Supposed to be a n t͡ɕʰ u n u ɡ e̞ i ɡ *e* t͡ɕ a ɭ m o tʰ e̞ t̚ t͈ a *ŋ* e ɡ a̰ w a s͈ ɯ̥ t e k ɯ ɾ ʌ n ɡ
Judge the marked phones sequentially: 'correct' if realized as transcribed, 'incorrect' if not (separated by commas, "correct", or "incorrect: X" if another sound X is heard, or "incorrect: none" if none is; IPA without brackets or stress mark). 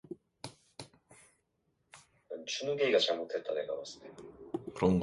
incorrect: a, incorrect: n